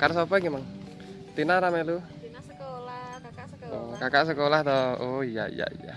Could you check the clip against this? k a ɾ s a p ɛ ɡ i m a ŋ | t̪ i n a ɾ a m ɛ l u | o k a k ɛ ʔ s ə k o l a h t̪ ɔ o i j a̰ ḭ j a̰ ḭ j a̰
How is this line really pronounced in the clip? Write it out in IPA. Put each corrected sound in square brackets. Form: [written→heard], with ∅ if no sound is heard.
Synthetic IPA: k a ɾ s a p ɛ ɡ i m a ŋ | t̪ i n a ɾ a m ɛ l u | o k a k [ɛ→a] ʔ s ə k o l a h t̪ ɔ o i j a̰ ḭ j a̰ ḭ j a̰